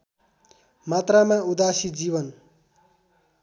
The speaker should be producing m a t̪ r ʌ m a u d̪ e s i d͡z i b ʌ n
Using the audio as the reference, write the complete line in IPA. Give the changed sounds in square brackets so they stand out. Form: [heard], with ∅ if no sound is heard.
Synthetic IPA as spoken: m a t̪ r [a] m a u d̪ [a] s i d͡z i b ʌ n